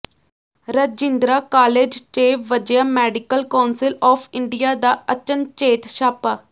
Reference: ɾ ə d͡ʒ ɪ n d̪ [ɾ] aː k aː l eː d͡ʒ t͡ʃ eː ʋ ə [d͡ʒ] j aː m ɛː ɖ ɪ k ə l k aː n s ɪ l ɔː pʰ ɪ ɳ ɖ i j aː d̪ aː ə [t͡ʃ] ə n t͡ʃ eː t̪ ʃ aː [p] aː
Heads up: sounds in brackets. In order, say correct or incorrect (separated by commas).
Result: correct, correct, correct, correct